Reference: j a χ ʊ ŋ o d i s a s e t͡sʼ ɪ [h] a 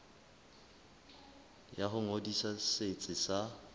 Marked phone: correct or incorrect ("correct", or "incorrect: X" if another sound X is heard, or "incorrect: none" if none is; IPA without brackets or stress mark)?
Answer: incorrect: s